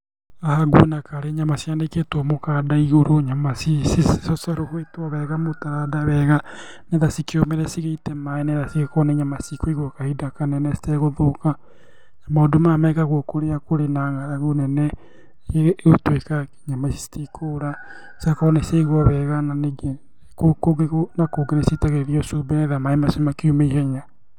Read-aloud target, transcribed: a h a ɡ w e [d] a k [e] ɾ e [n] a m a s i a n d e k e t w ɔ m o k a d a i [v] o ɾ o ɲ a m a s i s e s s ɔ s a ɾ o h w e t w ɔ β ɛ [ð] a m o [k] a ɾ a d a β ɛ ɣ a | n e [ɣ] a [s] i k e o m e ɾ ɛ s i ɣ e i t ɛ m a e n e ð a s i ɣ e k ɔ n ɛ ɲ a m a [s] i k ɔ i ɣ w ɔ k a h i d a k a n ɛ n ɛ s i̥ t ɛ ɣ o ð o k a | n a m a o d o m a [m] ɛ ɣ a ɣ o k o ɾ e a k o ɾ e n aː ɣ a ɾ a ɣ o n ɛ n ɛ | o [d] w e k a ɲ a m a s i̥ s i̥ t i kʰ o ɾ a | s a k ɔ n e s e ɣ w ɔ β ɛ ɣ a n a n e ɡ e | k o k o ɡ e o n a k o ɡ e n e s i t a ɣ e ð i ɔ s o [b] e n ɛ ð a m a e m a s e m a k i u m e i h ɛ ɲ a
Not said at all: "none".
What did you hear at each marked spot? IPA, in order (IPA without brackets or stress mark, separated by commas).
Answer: n, a, ɲ, ɣ, ɣ, t, ð, s, s, m, t, b